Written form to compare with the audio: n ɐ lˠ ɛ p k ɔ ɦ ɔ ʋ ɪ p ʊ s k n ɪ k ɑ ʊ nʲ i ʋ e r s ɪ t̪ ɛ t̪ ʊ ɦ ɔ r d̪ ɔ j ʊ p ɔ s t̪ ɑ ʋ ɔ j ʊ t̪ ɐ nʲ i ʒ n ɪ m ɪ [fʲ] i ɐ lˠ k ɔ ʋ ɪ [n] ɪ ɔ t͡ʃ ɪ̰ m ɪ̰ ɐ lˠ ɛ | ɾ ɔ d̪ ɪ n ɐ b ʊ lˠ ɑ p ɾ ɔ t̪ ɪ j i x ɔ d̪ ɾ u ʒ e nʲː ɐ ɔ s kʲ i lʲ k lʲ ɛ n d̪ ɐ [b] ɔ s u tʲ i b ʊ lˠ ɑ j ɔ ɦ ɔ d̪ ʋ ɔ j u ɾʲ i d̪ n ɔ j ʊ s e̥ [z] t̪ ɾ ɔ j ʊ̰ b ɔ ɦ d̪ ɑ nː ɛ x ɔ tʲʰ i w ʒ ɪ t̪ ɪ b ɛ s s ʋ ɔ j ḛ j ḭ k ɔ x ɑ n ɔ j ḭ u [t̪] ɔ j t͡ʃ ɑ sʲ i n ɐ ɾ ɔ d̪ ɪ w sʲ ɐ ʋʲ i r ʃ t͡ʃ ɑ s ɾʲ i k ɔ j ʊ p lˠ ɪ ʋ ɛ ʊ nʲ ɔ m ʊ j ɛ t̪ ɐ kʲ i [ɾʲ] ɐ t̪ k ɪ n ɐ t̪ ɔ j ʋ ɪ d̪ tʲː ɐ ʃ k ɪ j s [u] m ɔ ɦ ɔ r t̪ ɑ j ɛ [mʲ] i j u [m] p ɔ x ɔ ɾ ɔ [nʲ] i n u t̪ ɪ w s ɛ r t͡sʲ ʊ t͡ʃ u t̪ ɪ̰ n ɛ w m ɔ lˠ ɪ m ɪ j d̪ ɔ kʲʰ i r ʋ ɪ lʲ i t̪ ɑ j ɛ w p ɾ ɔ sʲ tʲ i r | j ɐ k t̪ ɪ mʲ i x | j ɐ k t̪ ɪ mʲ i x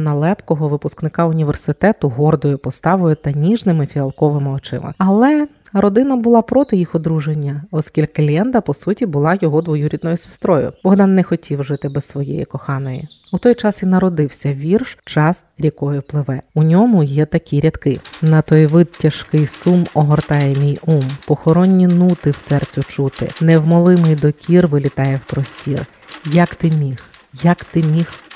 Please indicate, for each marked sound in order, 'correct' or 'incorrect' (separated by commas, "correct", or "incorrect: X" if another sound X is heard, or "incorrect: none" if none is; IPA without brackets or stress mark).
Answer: correct, incorrect: m, incorrect: p, incorrect: s, correct, correct, correct, correct, correct, incorrect: nʲː